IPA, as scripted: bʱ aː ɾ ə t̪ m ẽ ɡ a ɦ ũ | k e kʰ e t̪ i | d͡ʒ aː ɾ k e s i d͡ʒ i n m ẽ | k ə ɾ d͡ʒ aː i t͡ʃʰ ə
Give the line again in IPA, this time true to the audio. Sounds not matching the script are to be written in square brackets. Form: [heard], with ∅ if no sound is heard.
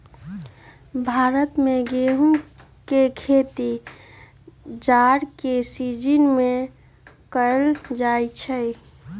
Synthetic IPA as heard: bʱ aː ɾ ə t̪ m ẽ ɡ [e] ɦ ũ | k e kʰ e t̪ i | d͡ʒ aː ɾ k e s i d͡ʒ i n m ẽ | k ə [l] d͡ʒ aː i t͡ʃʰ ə